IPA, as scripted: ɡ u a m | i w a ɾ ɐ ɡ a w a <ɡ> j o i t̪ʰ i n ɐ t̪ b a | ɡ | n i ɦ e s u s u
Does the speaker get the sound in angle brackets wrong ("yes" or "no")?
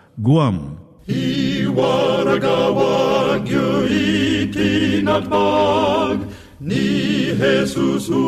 no